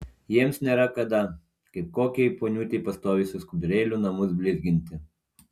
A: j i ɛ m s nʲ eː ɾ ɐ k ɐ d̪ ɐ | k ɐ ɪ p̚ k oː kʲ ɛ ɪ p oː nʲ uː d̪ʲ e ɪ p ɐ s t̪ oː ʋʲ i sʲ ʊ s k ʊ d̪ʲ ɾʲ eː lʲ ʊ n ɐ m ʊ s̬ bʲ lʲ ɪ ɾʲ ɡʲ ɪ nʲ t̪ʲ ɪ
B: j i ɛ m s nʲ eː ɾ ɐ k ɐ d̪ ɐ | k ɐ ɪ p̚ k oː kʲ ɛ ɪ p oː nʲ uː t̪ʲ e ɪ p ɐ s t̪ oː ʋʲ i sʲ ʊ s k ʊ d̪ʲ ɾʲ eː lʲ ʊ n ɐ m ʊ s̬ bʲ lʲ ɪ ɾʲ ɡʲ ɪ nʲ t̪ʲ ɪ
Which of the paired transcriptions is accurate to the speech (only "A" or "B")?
B